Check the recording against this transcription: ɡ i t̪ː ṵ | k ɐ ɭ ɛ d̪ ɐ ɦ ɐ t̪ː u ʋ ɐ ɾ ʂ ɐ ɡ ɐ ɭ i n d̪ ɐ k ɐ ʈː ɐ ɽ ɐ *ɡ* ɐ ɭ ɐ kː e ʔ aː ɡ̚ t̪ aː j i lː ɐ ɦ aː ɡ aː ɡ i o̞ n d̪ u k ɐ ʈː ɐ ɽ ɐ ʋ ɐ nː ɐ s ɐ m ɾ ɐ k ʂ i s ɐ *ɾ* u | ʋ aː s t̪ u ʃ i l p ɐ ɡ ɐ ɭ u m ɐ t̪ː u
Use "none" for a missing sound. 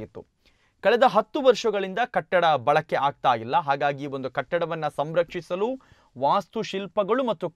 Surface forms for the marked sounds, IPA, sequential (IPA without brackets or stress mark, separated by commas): b, l